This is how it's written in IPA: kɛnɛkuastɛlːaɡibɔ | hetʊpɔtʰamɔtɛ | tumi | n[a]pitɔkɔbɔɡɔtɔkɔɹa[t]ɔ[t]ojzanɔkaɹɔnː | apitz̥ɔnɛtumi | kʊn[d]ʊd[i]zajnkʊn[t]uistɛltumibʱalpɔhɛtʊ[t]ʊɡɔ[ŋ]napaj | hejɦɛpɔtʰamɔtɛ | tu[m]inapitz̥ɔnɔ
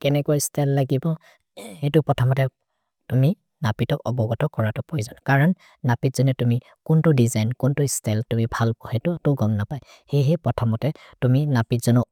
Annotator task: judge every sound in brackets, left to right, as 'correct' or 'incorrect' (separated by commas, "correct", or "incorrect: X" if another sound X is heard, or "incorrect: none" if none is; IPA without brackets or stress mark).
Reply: correct, correct, incorrect: p, incorrect: t, correct, correct, correct, correct, correct